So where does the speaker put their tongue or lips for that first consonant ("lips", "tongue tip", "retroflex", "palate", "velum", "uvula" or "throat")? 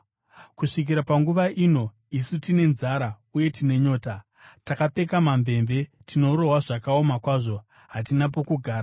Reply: velum